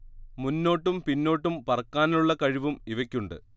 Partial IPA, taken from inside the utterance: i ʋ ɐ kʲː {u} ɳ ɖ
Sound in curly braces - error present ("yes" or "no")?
no